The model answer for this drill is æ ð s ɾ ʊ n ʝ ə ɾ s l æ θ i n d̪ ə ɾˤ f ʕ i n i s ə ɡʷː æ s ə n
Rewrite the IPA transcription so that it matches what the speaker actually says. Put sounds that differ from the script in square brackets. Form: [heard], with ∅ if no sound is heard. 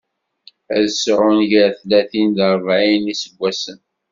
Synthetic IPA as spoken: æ ð s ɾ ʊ n ʝ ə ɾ [θ] l æ θ i n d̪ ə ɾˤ [v] ʕ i n i s ə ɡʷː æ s ə n